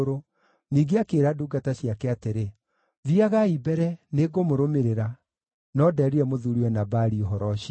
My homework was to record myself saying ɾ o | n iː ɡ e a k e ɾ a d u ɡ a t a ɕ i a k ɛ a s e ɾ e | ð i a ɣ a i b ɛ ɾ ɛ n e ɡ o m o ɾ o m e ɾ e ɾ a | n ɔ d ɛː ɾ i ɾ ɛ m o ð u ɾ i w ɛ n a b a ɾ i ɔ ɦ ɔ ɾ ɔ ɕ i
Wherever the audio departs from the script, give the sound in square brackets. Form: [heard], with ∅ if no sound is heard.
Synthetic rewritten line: ɾ o | n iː ɡ e a k e ɾ a d u ɡ a t a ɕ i a k ɛ a [t] e ɾ e | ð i a ɣ a i b ɛ ɾ ɛ n e ɡ o m o ɾ o m e ɾ e ɾ a | n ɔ d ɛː ɾ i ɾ ɛ m o ð u ɾ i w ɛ n a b a ɾ i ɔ ɦ ɔ ɾ ɔ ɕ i